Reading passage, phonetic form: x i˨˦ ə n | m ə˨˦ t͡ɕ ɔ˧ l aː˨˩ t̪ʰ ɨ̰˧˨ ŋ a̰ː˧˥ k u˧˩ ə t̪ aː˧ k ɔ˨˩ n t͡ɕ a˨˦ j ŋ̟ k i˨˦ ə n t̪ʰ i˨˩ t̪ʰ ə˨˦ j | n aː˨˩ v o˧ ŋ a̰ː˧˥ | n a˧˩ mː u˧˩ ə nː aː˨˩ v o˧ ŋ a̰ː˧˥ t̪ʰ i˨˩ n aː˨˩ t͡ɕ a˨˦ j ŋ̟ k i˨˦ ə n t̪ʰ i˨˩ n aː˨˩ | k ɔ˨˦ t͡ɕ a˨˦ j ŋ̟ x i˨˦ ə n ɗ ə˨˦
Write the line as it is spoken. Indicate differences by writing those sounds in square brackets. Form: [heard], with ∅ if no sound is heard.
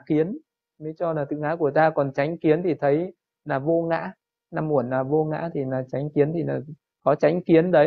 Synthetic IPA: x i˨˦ ə n | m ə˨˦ t͡ɕ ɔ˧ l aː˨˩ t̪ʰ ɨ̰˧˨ ŋ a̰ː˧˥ k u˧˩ ə t̪ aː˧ k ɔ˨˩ n t͡ɕ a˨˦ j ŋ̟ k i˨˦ ə n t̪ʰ i˨˩ t̪ʰ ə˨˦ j | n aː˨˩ v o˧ ŋ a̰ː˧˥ | n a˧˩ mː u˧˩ ə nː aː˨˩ v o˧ ŋ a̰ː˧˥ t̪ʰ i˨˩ n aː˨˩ t͡ɕ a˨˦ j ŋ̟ k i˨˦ ə n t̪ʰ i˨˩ n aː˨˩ | k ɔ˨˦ t͡ɕ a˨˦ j ŋ̟ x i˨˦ ə n ɗ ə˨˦